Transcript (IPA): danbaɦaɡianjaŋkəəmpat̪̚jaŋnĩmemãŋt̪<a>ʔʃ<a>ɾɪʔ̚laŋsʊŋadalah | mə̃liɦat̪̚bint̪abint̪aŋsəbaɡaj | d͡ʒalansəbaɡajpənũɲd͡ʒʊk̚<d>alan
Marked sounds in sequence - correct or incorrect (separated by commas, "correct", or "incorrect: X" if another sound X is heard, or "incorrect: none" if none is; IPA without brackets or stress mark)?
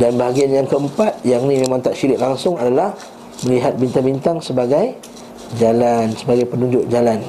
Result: correct, incorrect: i, incorrect: d͡ʒ